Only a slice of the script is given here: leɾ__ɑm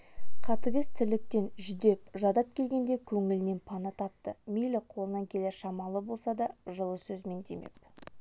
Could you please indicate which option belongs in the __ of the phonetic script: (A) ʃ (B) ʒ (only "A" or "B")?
A